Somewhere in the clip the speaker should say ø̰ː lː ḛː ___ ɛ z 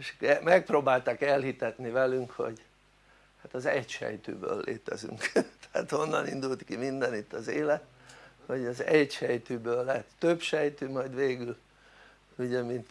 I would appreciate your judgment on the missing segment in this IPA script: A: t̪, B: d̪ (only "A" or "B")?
A